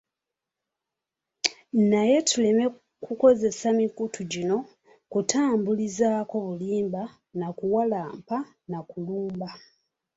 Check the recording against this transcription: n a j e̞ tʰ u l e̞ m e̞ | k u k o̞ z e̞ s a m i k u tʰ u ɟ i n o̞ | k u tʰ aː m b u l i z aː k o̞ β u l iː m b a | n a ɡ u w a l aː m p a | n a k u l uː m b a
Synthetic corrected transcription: n a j e̞ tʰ u l e̞ m e̞ | k u k o̞ z e̞ s a m i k u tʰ u ɟ i n o̞ | k u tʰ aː m b u l i z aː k o̞ β u l iː m b a | n a k u w a l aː m p a | n a k u l uː m b a